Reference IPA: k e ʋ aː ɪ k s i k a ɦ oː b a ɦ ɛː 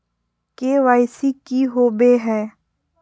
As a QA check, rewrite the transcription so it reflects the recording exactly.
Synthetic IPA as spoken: k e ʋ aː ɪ s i k i ɦ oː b e ɦ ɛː